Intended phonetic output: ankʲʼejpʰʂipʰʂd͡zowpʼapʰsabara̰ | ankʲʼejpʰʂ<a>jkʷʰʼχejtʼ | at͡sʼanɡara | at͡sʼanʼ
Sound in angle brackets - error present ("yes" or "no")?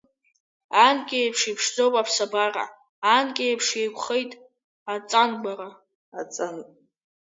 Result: yes